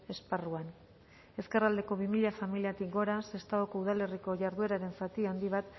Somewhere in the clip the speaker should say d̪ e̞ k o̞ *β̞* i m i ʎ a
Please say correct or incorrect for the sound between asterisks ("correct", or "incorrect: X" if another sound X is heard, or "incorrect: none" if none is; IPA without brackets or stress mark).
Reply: correct